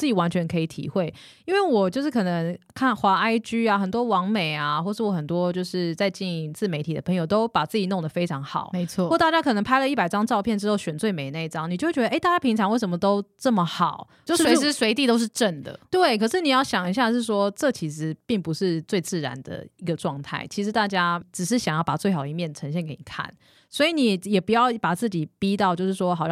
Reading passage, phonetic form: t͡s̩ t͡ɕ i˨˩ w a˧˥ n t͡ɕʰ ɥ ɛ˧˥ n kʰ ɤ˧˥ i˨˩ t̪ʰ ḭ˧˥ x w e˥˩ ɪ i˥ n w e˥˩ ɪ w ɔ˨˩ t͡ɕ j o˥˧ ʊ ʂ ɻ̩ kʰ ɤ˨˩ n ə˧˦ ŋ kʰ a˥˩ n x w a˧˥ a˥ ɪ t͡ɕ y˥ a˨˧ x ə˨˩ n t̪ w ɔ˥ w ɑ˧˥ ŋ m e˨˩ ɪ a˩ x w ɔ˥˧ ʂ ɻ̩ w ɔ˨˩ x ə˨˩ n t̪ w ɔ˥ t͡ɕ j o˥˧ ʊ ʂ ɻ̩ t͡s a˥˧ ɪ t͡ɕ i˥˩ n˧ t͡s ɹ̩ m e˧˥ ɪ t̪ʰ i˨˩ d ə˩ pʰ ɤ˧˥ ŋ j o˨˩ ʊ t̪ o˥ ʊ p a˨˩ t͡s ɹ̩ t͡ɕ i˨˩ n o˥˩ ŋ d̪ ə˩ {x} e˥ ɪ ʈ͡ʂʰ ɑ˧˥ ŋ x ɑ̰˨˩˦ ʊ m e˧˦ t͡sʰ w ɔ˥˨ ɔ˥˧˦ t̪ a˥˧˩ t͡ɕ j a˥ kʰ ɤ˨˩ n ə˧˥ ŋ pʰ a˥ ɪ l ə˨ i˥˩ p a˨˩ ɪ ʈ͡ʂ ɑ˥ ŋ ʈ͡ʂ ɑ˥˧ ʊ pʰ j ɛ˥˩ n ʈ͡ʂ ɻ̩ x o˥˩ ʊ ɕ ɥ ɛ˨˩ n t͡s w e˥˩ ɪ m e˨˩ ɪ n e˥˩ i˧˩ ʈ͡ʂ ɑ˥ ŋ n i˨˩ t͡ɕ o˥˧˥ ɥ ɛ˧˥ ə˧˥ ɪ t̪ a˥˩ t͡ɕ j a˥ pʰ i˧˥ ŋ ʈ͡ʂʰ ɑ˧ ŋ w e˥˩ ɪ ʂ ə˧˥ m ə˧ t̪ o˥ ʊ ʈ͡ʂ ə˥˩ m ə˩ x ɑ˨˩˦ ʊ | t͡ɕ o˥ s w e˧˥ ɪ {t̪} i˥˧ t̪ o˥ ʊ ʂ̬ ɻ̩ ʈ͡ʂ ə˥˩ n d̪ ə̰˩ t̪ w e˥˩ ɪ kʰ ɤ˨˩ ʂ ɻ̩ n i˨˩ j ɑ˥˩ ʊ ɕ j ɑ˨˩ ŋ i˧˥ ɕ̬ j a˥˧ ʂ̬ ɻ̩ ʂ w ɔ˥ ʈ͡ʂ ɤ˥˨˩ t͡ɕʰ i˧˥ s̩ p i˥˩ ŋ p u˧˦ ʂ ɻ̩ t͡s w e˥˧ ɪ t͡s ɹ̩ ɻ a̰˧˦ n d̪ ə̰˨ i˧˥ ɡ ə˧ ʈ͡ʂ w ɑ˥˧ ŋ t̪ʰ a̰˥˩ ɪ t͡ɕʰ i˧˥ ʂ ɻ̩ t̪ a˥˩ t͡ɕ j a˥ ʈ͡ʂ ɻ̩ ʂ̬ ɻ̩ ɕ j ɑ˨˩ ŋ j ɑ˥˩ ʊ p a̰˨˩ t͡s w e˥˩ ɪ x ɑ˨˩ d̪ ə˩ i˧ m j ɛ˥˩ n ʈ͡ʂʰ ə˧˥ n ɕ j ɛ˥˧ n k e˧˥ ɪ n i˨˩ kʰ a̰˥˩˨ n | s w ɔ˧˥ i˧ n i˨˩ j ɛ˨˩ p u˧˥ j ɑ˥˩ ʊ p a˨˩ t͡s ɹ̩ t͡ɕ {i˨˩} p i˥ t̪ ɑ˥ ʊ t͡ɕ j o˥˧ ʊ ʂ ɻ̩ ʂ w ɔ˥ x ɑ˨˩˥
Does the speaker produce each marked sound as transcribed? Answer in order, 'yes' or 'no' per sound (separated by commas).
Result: no, yes, yes